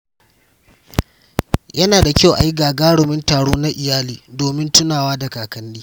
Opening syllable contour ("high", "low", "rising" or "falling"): high